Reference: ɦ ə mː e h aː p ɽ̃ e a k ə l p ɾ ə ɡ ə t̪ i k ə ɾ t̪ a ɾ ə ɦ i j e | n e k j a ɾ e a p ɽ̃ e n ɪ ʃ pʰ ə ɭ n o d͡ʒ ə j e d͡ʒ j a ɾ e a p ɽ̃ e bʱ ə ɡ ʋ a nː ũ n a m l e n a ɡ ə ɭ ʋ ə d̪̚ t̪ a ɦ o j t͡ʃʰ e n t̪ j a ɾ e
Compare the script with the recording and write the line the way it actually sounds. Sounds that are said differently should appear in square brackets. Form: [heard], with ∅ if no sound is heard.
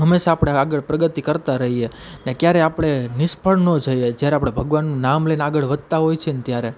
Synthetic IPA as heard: ɦ ə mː e [ʃ] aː p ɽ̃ e a [ɡ] ə [ɭ] p ɾ ə ɡ ə t̪ i k ə ɾ t̪ a ɾ ə ɦ i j e | n e k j a ɾ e a p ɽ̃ e n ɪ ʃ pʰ ə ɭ n o d͡ʒ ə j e d͡ʒ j a ɾ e a p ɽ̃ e bʱ ə ɡ ʋ a nː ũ n a m l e n a ɡ ə ɭ ʋ ə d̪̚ t̪ a ɦ o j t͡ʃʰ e n t̪ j a ɾ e